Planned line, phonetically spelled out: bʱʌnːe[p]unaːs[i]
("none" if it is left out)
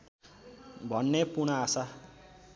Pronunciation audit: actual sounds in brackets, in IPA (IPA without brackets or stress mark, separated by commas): p, a